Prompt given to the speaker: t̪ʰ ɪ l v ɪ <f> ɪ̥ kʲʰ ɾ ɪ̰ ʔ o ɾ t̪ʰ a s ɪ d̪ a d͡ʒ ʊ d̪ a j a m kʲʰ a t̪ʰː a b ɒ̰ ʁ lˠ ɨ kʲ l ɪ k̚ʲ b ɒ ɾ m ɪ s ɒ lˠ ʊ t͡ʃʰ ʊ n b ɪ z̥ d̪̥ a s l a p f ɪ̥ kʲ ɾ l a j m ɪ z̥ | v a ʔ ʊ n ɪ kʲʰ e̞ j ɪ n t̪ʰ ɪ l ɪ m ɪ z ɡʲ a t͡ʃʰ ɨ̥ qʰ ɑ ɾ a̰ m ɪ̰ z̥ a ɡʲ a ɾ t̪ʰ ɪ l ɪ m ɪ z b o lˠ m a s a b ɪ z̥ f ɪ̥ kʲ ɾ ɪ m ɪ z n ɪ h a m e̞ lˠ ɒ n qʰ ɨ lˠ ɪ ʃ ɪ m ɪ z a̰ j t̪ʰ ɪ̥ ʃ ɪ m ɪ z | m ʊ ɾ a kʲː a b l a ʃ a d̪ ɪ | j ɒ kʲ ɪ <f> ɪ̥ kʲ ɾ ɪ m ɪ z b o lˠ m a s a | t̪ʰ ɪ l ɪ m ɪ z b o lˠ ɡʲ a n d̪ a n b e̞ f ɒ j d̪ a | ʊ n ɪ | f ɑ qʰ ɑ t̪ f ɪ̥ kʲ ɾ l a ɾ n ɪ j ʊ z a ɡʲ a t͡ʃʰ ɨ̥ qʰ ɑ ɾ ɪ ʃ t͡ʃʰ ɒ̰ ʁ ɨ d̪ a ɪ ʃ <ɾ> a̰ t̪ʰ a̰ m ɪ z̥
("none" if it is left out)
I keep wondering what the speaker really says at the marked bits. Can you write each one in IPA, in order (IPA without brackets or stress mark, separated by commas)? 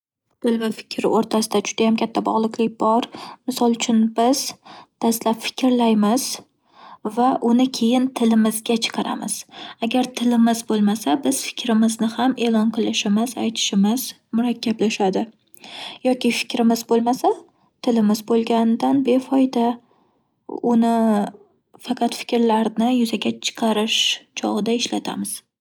f, f, l